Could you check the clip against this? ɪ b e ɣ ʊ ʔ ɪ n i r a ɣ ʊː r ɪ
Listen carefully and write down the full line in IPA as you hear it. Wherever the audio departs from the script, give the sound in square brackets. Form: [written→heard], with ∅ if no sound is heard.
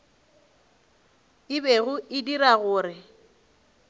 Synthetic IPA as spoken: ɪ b e ɣ ʊ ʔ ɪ [n→d] i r a ɣ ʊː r ɪ